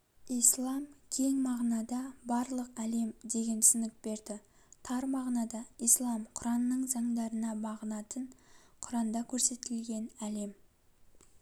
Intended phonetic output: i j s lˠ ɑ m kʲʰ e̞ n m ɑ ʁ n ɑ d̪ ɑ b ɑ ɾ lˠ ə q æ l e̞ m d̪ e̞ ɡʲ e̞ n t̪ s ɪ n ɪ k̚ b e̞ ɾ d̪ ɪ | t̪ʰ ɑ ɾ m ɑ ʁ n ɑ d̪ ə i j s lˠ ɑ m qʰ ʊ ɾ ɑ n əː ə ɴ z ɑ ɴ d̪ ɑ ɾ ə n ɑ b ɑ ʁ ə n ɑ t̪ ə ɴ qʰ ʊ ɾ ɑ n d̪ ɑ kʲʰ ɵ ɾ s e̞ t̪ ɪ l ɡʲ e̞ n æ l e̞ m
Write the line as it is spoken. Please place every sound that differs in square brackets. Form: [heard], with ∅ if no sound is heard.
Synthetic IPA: i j s lˠ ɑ m kʲʰ e̞ [ŋ] m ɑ ʁ n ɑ d̪ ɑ b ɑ ɾ lˠ ə q æ l e̞ m d̪ e̞ ɡʲ e̞ n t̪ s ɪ n ɪ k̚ b e̞ ɾ d̪ ɪ | t̪ʰ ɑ ɾ m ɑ ʁ n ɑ d̪ [ɑ] i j s lˠ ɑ m qʰ ʊ ɾ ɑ n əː ə ɴ z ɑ ɴ d̪ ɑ ɾ ə n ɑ b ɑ ʁ ə n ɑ t̪ ə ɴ qʰ ʊ ɾ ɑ n d̪ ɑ kʲʰ ɵ ɾ s e̞ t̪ ɪ l ɡʲ e̞ n æ l e̞ m